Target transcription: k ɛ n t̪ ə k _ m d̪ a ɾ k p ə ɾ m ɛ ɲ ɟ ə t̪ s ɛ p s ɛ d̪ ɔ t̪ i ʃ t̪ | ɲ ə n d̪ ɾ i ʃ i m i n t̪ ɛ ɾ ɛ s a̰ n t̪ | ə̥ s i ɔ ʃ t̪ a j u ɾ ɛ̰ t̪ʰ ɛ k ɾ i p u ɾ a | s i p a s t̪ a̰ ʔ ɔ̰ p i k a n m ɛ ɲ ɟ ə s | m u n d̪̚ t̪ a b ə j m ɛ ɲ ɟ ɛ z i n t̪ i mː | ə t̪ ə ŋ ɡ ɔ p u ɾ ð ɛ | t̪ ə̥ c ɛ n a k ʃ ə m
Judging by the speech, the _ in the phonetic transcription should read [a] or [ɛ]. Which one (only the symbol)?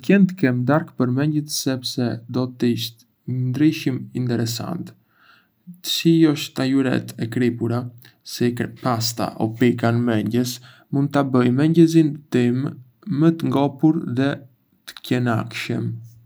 ɛ